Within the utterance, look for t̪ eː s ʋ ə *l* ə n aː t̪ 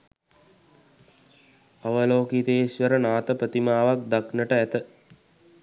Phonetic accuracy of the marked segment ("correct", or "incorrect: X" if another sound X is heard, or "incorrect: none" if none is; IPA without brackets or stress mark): incorrect: ɾ